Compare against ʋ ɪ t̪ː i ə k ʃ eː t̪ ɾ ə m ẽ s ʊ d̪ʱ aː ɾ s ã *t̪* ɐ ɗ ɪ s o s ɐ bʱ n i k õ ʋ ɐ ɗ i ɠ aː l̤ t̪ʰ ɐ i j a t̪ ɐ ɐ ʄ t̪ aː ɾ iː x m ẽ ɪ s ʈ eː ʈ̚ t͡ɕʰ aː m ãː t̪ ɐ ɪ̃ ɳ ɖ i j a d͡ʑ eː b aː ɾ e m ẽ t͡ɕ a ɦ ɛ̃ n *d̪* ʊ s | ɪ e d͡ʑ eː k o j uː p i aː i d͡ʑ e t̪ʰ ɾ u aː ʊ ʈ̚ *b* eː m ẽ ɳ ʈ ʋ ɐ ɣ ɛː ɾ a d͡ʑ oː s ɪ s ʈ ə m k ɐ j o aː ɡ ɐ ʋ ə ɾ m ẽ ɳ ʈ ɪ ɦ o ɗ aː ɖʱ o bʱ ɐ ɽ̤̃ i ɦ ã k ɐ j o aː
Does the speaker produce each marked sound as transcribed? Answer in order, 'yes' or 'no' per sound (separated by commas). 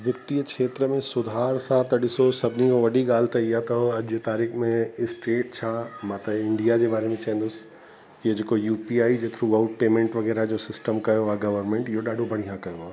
yes, yes, no